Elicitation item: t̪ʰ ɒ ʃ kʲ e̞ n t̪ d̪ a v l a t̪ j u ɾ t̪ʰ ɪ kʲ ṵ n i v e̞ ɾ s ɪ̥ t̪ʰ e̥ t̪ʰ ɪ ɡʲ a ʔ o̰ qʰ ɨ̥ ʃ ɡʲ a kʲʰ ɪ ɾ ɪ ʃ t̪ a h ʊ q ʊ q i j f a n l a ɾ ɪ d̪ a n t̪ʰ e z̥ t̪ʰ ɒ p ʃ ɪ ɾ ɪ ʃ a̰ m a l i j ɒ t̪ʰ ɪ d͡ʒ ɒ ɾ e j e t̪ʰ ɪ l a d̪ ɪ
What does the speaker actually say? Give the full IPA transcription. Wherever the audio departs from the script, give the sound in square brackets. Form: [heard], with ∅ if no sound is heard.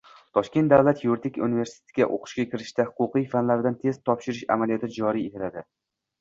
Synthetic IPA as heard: t̪ʰ ɒ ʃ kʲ e̞ n t̪ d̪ a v l a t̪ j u ɾ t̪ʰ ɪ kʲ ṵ n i v e̞ ɾ s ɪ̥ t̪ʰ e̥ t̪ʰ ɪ ɡʲ a ʔ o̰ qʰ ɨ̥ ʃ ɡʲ a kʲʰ ɪ ɾ ɪ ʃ t̪ a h ʊ q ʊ q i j f a n l a ɾ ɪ d̪ a n t̪ʰ e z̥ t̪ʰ ɒ p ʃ ɪ ɾ ɪ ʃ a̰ m a l i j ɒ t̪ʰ ɪ d͡ʒ ɒ ɾ [i] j e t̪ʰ ɪ l a d̪ ɪ